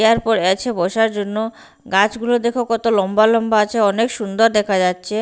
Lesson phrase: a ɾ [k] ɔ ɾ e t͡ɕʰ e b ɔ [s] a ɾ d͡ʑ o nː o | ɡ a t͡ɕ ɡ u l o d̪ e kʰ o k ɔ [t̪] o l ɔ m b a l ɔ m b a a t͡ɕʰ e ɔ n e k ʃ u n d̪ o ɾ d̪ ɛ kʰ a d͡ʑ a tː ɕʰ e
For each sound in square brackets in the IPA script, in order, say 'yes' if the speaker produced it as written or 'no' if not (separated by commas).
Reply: no, no, yes